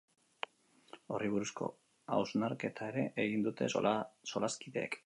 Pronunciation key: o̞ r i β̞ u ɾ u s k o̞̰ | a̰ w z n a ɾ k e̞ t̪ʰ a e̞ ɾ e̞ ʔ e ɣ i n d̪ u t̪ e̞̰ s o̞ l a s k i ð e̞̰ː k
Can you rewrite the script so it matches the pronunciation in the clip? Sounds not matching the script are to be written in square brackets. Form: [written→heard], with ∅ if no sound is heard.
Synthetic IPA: o̞ r i β̞ u ɾ u s k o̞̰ | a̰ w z n a ɾ k e̞ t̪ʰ a e̞ ɾ e̞ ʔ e ɣ i n d̪ u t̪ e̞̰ s o̞ l a s k i ð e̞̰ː k